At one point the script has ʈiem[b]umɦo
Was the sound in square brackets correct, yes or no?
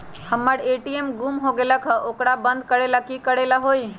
no